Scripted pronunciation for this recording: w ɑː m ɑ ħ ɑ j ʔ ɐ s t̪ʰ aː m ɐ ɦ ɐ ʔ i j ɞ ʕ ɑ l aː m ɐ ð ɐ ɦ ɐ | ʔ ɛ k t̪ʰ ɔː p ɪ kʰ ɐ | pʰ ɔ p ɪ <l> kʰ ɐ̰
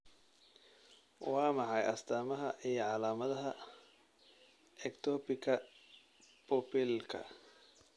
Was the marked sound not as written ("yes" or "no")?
no